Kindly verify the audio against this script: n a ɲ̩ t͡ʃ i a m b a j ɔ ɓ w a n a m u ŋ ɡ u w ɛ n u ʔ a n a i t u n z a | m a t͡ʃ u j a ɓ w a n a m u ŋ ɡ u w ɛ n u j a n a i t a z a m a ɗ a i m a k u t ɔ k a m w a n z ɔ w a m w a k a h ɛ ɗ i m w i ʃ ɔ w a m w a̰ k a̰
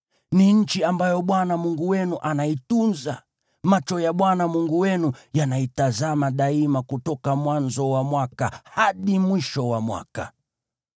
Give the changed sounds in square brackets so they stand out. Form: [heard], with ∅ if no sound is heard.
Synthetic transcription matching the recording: n [i] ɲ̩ t͡ʃ i a m b a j ɔ ɓ w a n a m u ŋ ɡ u w ɛ n u ʔ a n a i t u n z a | m a t͡ʃ [ɔ] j a ɓ w a n a m u ŋ ɡ u w ɛ n u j a n a i t a z a m a ɗ a i m a k u t ɔ k a m w a n z ɔ w a m w a k a h [a] ɗ i m w i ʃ ɔ w a m w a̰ k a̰